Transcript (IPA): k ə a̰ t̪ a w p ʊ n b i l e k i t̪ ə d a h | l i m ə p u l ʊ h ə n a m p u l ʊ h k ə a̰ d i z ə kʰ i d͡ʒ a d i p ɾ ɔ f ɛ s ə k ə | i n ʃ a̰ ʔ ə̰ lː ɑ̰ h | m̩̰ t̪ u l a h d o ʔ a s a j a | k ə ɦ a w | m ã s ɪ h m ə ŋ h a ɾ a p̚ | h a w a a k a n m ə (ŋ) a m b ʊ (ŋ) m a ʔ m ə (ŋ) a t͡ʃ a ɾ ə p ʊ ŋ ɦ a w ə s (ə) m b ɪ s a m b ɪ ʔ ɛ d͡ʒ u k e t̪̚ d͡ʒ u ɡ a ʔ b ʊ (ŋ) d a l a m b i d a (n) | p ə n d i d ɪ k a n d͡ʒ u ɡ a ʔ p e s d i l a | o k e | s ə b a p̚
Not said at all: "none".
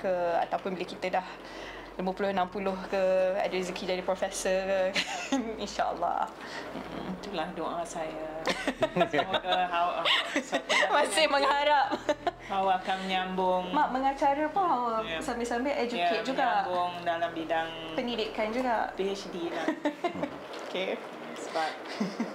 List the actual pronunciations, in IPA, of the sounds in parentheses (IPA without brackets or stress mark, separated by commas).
ɲ, ŋ, ŋ, a, ŋ, ŋ